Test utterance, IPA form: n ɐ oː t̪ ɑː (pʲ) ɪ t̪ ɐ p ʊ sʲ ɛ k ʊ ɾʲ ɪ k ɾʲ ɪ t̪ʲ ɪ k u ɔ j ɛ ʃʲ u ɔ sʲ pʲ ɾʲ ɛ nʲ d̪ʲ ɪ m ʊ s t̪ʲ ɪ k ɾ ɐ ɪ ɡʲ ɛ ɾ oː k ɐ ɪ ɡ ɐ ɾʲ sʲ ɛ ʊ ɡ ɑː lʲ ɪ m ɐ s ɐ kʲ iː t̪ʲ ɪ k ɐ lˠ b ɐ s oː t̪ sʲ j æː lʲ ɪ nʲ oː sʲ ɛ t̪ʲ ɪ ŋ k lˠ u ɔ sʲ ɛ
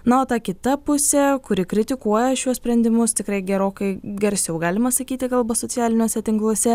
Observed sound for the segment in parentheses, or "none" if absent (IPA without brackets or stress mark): kʲ